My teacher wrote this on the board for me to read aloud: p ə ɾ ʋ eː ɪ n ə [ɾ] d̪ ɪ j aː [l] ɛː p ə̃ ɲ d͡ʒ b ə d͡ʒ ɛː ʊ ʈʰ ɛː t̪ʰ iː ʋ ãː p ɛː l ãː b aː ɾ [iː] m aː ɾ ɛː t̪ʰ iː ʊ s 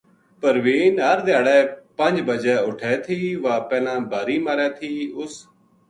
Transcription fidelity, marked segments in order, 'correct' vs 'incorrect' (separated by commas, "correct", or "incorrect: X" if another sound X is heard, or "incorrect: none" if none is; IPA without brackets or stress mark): correct, incorrect: ɽ, correct